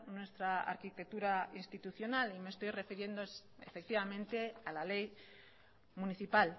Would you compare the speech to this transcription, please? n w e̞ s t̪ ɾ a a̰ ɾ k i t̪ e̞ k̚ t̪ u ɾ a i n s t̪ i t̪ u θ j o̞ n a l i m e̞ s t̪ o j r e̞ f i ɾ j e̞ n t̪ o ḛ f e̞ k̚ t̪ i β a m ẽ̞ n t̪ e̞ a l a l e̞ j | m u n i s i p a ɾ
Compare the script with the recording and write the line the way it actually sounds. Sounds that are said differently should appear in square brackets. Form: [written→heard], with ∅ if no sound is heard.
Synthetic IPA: n w e̞ s t̪ ɾ a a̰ ɾ k i t̪ e̞ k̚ t̪ u ɾ a i n s t̪ i t̪ u θ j o̞ n a l i m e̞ s t̪ o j r e̞ f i ɾ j e̞ n [t̪→d̪] o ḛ f e̞ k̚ t̪ i β a m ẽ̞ n t̪ e̞ a l a l e̞ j | m u n i [s→θ] i p a [ɾ→l]